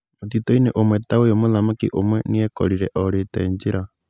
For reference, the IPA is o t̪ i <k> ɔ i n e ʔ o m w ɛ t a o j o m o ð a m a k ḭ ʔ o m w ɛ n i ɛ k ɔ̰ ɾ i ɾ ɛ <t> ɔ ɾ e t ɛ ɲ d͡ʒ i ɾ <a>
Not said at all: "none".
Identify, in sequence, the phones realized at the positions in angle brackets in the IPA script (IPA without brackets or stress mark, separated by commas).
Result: t, ʔ, a